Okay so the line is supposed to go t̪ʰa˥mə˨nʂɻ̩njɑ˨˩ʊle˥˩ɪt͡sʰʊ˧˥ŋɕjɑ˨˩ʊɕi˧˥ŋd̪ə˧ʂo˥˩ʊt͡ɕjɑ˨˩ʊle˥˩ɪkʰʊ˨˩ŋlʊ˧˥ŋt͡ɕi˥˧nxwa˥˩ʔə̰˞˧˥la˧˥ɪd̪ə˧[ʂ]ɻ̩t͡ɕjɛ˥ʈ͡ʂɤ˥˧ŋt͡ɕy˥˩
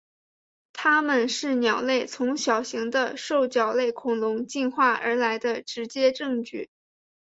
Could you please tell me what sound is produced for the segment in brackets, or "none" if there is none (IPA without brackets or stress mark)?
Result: ʈ͡ʂ